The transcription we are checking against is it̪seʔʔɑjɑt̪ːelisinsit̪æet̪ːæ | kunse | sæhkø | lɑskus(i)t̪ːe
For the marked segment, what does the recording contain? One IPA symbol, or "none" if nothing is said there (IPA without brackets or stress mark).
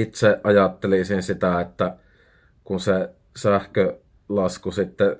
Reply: i